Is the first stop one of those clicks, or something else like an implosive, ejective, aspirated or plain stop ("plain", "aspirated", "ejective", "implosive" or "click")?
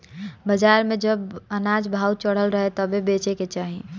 plain